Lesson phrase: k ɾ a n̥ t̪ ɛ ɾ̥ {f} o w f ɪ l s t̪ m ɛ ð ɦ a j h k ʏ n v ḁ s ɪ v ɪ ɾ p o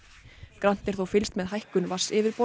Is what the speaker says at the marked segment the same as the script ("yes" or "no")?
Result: no